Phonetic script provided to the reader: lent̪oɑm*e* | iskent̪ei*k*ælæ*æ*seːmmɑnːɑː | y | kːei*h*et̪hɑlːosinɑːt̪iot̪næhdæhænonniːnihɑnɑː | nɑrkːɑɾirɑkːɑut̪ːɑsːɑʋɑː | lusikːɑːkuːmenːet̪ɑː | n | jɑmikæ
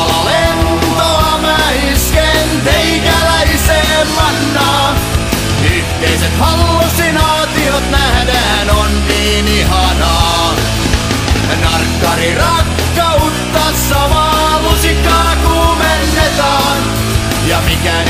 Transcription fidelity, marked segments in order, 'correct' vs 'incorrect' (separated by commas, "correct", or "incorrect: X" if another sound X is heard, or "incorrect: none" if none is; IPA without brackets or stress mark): incorrect: æ, correct, incorrect: i, incorrect: s